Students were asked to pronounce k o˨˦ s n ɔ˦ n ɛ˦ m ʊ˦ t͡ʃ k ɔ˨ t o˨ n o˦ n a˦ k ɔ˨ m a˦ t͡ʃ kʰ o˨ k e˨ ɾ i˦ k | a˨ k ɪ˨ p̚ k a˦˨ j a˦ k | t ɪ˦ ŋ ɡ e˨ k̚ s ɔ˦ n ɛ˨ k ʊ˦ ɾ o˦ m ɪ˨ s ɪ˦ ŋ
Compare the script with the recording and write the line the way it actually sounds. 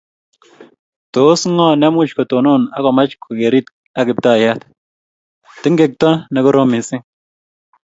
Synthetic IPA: t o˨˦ s ŋ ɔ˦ n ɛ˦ m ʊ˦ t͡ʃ k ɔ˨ t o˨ n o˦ n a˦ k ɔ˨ m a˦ t͡ʃ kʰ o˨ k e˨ ɾ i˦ t | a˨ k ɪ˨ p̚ t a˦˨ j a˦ t | t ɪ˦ ŋ ɡ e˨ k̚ t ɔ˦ n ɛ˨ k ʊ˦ ɾ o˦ m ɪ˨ s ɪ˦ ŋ

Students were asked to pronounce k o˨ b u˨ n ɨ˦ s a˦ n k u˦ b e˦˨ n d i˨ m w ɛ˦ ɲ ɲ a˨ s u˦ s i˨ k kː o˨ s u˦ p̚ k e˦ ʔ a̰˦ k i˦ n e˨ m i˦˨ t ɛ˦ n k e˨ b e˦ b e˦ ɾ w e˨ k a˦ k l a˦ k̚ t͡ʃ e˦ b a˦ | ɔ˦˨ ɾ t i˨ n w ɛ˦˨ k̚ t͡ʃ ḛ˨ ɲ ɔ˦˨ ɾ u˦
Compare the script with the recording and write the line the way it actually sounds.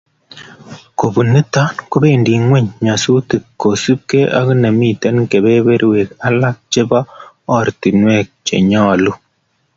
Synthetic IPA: k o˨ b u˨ n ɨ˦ t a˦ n k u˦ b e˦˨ n d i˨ ŋ w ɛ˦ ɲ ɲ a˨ s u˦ t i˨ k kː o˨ s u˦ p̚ k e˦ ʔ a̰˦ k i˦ n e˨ m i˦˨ t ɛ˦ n k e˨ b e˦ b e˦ ɾ w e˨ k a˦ l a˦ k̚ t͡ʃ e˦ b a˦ | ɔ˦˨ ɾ t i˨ n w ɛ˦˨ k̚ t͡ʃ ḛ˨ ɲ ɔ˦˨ l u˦

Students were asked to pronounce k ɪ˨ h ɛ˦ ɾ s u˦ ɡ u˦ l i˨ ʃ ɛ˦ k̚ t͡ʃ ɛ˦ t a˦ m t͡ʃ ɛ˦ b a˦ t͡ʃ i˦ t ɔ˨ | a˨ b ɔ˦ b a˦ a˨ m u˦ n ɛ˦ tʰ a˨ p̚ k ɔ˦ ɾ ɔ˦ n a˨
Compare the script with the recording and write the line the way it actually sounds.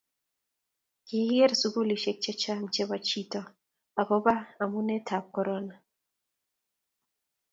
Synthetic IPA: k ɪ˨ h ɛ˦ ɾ s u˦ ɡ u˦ l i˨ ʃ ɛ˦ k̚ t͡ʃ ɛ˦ t͡ʃ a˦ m t͡ʃ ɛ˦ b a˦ t͡ʃ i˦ t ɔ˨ | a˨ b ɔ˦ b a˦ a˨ m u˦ n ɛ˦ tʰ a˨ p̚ k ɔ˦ ɾ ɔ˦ n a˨

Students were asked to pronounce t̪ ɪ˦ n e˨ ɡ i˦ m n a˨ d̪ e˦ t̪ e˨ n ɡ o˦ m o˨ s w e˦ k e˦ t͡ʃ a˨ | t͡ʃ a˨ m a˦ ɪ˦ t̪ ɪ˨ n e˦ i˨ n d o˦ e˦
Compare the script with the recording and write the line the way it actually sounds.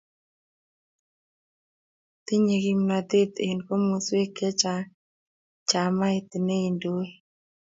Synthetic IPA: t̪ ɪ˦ ɲ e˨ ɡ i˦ m n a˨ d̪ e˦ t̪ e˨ n k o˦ m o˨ s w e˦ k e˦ t͡ʃ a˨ | t͡ʃ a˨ m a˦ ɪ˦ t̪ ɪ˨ n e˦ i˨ n d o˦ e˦

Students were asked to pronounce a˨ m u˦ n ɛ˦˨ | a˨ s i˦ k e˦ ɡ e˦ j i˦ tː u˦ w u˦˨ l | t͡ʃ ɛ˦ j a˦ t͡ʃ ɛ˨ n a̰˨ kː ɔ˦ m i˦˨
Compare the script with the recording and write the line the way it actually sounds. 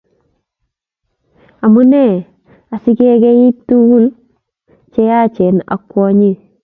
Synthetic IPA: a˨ m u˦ n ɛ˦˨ | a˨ s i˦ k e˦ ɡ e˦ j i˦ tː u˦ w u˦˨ l | t͡ʃ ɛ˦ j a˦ t͡ʃ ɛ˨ n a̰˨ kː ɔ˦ ɲ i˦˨

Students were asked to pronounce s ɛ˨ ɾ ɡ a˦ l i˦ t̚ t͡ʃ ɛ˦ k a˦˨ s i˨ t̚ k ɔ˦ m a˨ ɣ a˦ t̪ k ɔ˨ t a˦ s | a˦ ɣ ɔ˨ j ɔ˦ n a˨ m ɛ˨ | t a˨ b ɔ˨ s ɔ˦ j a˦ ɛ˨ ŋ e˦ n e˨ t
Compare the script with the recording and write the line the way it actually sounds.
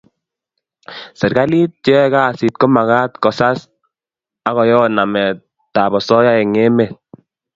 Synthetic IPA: s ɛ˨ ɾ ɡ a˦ l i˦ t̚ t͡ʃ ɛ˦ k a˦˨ s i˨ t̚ k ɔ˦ m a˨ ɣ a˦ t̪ k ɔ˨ s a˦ s | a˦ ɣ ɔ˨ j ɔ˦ n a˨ m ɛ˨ | t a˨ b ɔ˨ s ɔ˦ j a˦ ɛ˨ ŋ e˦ m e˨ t

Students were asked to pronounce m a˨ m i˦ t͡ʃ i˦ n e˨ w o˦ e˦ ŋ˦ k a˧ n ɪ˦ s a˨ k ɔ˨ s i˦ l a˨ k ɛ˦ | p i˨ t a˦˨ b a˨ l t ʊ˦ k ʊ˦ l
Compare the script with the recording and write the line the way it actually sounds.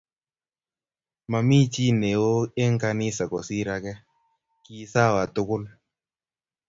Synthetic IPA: m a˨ m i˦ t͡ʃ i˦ n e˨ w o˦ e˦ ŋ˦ k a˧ n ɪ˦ s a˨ k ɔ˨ s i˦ ɾ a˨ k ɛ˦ | k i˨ s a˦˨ w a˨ t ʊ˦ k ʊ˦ l

